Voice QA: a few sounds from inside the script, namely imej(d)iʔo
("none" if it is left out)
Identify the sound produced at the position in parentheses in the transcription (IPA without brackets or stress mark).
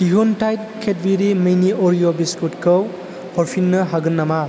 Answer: n